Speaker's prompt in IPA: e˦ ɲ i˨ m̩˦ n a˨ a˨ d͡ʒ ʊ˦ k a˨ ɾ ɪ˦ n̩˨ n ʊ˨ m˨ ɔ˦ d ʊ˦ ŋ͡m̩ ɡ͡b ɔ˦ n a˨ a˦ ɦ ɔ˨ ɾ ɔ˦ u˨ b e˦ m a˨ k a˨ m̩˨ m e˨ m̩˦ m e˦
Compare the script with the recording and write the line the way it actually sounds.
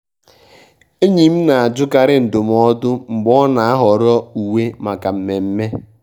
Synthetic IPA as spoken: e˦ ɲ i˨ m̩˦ n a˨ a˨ d͡ʒ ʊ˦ k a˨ ɾ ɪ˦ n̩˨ d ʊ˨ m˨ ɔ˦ d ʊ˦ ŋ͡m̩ ɡ͡b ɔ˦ n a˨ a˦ ɦ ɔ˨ ɾ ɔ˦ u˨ w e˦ m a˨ k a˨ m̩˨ m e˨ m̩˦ m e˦